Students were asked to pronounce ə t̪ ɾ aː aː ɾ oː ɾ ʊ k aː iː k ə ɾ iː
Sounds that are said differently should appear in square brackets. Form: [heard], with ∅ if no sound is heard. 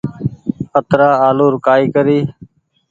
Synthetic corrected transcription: ə t̪ ɾ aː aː [l] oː ɾ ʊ k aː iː k ə ɾ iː